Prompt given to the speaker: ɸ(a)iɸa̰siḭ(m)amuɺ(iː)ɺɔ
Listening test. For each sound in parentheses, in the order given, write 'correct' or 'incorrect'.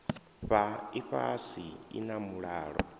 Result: correct, incorrect: n, incorrect: aː

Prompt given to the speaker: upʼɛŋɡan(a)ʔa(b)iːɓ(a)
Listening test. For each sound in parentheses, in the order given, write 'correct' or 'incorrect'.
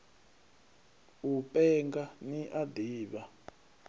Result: incorrect: i, incorrect: d, correct

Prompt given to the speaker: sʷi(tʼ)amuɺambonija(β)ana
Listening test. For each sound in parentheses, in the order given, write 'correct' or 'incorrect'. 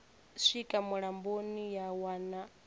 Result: incorrect: kʼ, incorrect: w

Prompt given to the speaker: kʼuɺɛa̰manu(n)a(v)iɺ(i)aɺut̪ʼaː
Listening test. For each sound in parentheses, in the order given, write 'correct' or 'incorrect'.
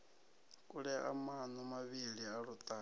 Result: incorrect: m, incorrect: β, correct

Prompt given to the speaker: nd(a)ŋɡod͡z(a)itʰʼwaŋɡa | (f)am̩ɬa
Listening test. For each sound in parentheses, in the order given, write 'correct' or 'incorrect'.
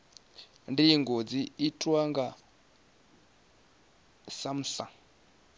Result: incorrect: i, incorrect: i, incorrect: s

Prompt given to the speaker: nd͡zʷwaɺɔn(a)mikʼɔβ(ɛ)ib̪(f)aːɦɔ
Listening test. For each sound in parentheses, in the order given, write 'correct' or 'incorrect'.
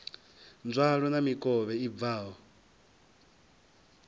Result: correct, correct, incorrect: v

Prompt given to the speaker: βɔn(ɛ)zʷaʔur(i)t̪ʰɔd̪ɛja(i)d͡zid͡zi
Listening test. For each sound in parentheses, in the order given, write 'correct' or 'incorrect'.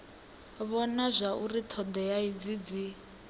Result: incorrect: a, correct, correct

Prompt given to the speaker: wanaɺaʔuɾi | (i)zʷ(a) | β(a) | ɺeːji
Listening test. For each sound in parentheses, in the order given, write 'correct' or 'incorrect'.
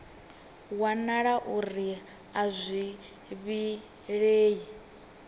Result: incorrect: a, incorrect: i, incorrect: i

